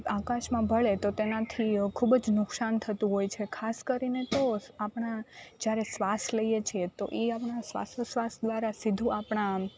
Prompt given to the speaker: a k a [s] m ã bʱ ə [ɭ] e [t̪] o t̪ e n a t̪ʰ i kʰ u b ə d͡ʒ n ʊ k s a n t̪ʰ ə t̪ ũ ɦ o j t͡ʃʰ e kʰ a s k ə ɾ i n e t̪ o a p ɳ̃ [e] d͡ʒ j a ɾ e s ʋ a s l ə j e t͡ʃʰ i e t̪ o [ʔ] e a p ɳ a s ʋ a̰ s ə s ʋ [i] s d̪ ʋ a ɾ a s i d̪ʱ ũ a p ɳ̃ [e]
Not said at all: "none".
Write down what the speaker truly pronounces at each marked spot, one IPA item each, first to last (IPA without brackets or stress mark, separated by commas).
ʃ, ɭ, t̪, a, ʔ, a, a